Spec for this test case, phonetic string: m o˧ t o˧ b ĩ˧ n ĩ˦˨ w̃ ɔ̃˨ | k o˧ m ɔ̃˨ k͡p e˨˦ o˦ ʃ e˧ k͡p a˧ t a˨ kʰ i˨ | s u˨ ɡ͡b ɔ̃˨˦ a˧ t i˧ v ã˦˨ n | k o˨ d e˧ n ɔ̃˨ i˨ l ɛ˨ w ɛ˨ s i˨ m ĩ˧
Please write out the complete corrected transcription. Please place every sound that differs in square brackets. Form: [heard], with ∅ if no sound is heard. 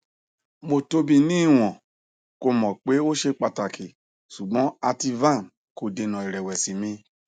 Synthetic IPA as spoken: m o˧ t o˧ b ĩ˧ n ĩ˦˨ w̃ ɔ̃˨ | k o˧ m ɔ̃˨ k͡p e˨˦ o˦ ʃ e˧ k͡p a˧ t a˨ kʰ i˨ | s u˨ ɡ͡b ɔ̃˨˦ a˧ t i˧ v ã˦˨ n | k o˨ d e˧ n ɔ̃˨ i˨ [ɾ] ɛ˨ w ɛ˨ s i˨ m ĩ˧